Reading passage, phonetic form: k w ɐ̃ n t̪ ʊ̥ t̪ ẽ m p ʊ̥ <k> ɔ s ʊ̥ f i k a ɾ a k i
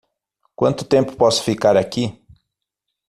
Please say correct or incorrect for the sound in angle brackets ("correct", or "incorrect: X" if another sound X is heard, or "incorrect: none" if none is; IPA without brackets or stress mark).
incorrect: p